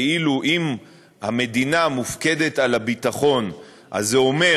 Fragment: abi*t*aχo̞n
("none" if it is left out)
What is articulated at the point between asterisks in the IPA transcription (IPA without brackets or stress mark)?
t